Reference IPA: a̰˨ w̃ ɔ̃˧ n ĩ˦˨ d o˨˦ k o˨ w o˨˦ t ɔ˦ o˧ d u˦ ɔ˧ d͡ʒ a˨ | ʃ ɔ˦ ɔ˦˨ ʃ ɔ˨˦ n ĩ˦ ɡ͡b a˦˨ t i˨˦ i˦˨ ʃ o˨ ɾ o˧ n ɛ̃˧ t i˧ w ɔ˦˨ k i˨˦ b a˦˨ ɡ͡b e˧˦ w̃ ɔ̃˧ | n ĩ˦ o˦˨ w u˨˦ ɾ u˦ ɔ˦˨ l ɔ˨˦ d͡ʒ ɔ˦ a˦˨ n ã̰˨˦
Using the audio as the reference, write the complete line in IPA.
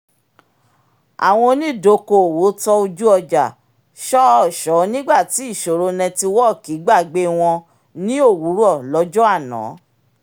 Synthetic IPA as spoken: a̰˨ w̃ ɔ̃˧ n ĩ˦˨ d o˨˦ k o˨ w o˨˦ t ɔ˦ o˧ d͡ʒ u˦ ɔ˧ d͡ʒ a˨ | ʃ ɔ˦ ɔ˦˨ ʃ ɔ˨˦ n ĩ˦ ɡ͡b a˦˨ t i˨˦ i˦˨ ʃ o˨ ɾ o˧ n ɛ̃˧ t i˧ w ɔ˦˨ k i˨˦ ɡ͡b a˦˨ ɡ͡b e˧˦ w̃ ɔ̃˧ | n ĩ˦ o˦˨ w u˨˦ ɾ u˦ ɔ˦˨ l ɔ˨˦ d͡ʒ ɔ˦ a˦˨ n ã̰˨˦